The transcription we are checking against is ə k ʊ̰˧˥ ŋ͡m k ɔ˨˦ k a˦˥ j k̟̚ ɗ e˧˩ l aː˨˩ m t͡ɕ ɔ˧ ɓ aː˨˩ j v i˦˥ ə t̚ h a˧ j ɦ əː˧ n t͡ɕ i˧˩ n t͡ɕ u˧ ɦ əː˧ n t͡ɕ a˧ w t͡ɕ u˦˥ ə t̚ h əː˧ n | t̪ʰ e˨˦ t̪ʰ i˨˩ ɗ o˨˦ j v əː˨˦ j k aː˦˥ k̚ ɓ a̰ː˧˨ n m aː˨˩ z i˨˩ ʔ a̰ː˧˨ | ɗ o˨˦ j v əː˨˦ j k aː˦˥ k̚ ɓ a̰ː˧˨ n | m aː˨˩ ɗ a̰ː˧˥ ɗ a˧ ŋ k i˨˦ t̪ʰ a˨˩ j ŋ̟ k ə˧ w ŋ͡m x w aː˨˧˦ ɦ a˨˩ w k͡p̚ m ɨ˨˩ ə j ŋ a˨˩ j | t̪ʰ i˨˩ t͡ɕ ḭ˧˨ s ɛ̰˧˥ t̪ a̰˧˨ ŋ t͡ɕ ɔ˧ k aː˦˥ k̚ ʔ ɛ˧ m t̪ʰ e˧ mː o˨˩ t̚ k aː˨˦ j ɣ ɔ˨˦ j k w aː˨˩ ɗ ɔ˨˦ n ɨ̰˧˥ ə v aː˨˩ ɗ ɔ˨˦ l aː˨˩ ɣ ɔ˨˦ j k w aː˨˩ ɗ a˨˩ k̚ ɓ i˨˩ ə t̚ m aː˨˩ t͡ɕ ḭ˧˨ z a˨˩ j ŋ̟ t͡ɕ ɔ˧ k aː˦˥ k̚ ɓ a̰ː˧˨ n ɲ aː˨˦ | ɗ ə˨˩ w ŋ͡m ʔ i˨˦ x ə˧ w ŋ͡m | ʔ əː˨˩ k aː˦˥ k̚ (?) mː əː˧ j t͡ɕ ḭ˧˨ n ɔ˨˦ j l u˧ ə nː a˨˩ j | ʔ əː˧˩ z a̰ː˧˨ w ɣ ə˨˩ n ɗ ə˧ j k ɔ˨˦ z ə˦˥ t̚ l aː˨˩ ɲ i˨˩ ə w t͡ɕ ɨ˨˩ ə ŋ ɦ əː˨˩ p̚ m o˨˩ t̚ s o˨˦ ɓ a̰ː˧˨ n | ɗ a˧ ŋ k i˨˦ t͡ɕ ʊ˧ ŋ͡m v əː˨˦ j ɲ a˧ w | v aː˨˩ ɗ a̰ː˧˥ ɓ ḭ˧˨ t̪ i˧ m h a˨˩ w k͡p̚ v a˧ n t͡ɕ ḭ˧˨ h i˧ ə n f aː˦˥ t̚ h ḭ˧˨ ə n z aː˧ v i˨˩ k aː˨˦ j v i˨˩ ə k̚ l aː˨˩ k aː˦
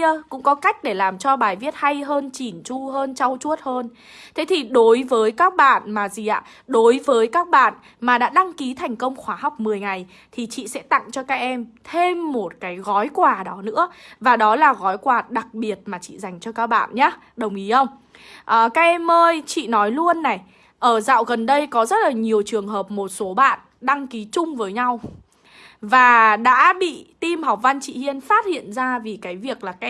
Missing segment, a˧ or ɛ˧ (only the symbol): ɛ˧